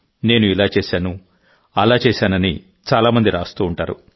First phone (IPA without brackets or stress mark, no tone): n